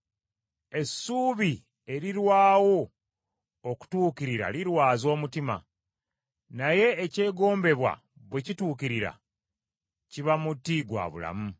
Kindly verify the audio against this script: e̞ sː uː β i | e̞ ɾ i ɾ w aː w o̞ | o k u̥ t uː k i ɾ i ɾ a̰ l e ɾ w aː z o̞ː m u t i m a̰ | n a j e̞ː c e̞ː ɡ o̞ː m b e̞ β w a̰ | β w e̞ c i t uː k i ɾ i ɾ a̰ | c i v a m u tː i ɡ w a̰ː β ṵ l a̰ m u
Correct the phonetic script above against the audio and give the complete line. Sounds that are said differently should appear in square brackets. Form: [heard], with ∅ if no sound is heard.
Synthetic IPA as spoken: e̞ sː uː β i | e̞ ɾ i ɾ w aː w o̞ | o k u̥ t uː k i ɾ i ɾ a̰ l [i] ɾ w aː z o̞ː m u t i m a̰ | n a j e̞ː c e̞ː ɡ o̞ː m b e̞ β w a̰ | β w e̞ c i t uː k i ɾ i ɾ a̰ | c i [β] a m u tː i ɡ w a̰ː β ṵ l a̰ m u